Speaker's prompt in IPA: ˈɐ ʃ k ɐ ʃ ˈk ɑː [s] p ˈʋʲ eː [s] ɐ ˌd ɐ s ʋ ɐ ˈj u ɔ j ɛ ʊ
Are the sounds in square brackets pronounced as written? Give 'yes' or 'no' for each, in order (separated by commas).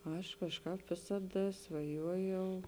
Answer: no, yes